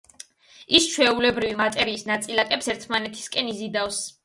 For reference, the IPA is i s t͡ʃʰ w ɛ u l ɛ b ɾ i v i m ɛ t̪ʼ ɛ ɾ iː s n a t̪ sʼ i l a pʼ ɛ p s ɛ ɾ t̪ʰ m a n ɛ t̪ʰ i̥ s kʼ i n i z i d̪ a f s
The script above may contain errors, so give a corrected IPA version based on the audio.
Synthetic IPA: i s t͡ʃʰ w ɛ u l ɛ b ɾ i v i m a t̪ʼ ɛ ɾ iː s n a t̪ sʼ i l a kʼ ɛ p s ɛ ɾ t̪ʰ m a n ɛ t̪ʰ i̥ s kʼ ɛ n i z i d̪ a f s